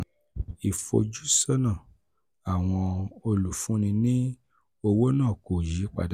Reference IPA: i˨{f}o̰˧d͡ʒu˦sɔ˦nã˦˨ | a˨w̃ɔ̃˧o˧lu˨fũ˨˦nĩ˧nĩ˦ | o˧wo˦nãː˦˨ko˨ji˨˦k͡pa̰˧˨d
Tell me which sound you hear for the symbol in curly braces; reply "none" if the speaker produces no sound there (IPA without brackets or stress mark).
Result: f